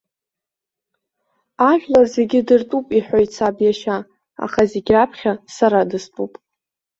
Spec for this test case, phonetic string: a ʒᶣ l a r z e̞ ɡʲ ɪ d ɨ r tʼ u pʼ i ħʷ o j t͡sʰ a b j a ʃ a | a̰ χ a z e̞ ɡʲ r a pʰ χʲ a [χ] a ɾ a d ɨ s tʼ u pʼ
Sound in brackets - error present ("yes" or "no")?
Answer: yes